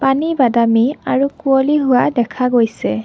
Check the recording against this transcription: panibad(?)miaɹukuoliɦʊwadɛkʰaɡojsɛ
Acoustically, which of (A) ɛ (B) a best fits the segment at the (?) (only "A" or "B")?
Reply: B